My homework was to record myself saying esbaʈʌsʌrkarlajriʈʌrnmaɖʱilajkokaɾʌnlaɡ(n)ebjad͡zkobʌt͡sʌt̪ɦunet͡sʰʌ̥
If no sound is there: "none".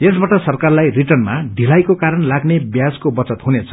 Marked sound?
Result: n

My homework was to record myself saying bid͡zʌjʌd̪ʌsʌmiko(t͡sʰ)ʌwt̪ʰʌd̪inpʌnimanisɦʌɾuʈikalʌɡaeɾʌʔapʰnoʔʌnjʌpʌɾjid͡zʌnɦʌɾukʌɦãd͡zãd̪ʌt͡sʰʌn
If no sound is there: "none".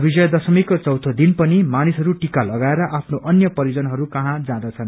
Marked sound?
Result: t͡s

